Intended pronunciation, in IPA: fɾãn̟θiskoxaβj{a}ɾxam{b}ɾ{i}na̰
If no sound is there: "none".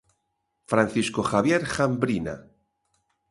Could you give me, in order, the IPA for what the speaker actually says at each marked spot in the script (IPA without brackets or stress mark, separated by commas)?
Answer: e, b, i